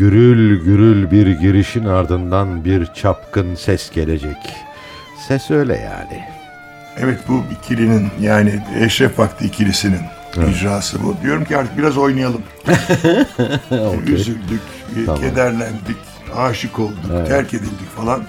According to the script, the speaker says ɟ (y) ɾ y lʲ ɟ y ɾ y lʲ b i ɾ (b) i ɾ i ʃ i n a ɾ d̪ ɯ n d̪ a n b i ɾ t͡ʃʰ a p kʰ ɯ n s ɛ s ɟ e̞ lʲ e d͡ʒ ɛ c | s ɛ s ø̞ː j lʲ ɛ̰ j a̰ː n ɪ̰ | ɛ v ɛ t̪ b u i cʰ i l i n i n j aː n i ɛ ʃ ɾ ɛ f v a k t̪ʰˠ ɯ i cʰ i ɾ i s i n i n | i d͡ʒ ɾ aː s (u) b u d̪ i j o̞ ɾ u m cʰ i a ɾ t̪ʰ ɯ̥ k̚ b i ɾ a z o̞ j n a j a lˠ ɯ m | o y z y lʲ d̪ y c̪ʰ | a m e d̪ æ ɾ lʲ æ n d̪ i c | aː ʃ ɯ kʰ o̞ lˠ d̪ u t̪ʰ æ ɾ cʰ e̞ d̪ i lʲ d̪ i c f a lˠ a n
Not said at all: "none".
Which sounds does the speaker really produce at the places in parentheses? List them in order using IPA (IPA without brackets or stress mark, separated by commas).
y, ɟ, ɯ